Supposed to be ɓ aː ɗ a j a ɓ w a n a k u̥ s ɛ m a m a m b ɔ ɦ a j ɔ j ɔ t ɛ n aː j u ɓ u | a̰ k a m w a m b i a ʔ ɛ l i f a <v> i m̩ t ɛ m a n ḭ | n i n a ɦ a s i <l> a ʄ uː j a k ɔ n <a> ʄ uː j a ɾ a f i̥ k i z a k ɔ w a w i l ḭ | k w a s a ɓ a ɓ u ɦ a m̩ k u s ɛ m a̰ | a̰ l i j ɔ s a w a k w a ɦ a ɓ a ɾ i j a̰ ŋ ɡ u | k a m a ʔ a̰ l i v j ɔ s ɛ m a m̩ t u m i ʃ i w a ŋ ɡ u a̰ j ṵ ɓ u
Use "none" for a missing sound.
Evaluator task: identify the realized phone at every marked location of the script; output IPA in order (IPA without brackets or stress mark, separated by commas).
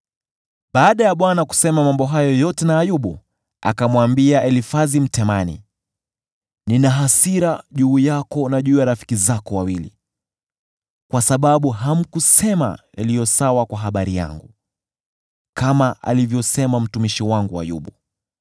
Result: z, ɾ, a